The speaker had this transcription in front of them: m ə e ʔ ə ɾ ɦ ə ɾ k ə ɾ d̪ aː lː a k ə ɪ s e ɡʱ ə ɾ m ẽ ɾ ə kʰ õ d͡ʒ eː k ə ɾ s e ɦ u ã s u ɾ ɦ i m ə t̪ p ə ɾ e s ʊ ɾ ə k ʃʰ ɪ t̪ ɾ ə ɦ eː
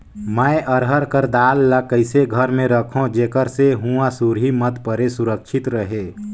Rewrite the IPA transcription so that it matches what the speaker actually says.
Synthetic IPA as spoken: m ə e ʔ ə ɾ ɦ ə ɾ k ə ɾ d̪ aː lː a k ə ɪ s e ɡʱ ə ɾ m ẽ ɾ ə kʰ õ d͡ʒ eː k ə ɾ s e ɦ u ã s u ɾ ɦ i m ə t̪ p ə ɾ e s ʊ ɾ ə k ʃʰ ɪ t̪ ɾ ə ɦ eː